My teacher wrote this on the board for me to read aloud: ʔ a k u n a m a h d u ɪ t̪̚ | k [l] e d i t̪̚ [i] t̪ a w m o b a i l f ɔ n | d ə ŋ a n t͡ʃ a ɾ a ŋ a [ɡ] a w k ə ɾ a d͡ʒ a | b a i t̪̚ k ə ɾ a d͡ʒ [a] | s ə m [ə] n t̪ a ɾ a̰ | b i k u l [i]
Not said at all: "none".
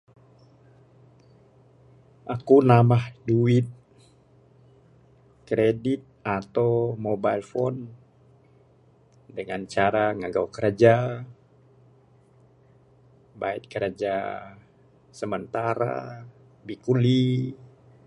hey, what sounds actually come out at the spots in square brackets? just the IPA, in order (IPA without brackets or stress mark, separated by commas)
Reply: ɾ, a, ɡ, a, ə, i